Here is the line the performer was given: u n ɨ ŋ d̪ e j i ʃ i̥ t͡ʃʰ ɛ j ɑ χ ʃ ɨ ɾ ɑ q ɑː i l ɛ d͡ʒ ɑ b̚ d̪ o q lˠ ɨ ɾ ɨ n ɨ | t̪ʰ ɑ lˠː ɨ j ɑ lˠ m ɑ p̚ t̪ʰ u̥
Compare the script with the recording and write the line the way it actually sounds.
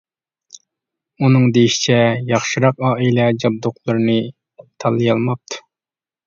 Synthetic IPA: u n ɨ ŋ d̪ e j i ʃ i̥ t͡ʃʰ ɛ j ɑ χ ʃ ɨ ɾ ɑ q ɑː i l ɛ d͡ʒ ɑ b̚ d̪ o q lˠ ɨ ɾ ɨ n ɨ | t̪ʰ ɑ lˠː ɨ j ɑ lˠ m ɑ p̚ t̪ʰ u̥